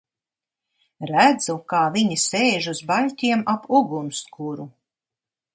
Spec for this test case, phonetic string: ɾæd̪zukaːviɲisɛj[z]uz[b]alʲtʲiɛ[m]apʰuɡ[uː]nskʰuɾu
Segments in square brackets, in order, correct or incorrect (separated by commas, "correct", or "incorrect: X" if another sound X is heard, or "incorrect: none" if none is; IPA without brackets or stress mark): incorrect: ʒ, correct, correct, incorrect: u